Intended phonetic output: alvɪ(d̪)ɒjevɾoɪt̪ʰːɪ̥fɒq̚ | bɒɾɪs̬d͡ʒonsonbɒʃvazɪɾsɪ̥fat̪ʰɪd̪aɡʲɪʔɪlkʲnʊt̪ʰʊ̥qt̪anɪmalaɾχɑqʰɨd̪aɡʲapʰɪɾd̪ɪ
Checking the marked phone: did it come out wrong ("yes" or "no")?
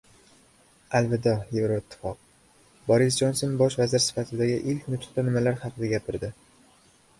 no